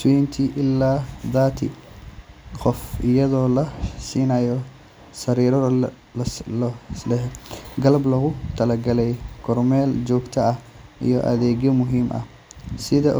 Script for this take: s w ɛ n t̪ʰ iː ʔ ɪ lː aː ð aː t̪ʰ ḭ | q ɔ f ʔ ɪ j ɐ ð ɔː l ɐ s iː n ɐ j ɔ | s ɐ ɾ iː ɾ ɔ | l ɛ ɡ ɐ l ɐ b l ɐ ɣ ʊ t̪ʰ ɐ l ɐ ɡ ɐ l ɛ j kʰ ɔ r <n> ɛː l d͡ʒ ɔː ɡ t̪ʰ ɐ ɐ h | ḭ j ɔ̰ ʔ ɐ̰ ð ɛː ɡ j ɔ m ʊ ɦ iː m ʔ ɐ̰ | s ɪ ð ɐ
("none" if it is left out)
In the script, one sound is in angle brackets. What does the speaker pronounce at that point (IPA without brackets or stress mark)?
m